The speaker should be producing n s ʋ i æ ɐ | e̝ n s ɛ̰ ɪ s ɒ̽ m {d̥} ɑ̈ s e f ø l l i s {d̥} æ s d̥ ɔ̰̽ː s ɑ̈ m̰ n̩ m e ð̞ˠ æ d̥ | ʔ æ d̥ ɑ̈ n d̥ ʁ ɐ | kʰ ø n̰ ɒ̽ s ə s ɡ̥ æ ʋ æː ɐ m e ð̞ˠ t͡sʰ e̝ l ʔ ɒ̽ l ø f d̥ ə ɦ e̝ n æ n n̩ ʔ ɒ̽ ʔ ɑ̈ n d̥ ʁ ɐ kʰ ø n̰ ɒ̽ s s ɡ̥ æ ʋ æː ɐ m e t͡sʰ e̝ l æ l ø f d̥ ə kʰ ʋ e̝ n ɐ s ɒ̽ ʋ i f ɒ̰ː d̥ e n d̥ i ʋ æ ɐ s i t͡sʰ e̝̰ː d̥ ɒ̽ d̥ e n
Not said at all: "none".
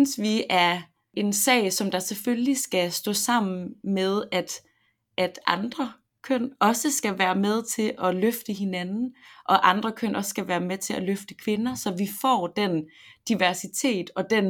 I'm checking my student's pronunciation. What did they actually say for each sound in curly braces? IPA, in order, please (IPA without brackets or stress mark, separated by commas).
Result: d̥, ɡ̥